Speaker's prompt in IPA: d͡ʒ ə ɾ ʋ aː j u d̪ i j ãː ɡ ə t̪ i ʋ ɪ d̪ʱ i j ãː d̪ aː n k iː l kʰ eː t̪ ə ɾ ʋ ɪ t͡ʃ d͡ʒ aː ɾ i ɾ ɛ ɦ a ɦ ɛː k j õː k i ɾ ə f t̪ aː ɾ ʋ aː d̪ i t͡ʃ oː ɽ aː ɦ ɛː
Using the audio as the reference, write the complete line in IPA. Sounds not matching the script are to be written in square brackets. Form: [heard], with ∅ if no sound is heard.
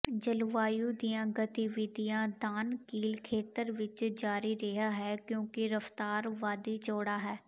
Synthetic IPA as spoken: d͡ʒ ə [l] ʋ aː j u d̪ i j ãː ɡ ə t̪ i ʋ ɪ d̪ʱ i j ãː d̪ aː n k iː l kʰ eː t̪ ə ɾ ʋ ɪ t͡ʃ d͡ʒ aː ɾ i ɾ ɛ ɦ a ɦ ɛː k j õː k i ɾ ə f t̪ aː ɾ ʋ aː d̪ i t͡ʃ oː ɽ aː ɦ ɛː